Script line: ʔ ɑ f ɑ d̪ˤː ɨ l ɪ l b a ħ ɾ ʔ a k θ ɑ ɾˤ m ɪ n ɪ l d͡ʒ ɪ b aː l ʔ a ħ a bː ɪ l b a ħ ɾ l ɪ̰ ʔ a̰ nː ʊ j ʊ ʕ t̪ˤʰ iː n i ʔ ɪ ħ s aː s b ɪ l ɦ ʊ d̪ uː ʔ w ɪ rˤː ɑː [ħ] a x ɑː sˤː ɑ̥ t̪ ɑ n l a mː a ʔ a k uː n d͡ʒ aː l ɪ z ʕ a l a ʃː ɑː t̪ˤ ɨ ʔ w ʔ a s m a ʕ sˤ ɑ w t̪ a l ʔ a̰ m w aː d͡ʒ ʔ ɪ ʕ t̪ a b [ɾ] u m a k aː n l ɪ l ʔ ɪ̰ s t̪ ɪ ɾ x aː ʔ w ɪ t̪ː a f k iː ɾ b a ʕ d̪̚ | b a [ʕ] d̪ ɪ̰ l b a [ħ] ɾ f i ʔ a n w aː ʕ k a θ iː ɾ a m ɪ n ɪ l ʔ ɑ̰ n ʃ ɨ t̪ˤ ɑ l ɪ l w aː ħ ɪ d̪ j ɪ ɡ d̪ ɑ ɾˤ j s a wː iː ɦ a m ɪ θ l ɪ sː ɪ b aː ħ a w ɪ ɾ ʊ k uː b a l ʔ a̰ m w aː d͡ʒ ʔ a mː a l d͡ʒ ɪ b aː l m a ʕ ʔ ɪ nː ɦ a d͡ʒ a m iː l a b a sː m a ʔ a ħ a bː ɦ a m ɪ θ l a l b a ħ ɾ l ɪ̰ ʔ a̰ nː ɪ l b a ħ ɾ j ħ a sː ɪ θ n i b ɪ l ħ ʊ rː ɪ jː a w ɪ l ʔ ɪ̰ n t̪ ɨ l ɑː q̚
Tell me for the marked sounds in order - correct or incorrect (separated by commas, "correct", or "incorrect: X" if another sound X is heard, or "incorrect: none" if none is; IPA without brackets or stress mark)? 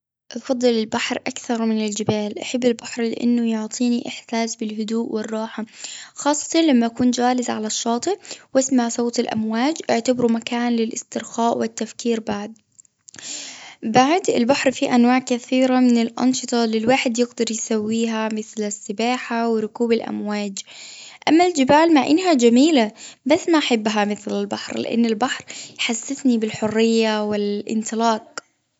correct, correct, correct, correct